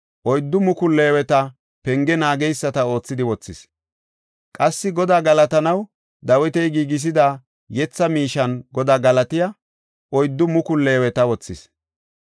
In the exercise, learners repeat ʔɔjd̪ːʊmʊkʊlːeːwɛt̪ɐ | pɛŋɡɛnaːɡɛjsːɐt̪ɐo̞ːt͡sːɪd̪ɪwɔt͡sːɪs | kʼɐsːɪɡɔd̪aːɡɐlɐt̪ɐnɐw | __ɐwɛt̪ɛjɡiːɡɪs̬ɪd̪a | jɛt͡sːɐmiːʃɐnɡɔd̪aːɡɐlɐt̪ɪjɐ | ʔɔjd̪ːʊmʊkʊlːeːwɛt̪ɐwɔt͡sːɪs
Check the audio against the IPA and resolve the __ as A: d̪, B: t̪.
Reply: A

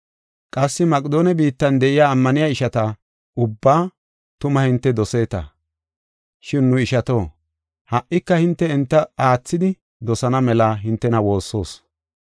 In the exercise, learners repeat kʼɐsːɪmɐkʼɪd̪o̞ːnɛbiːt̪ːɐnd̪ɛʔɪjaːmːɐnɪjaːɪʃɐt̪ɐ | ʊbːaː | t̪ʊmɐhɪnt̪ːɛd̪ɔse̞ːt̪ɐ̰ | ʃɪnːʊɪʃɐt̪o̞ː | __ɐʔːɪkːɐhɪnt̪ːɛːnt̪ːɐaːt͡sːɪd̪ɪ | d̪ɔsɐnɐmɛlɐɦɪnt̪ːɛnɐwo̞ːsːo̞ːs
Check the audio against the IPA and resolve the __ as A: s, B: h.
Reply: B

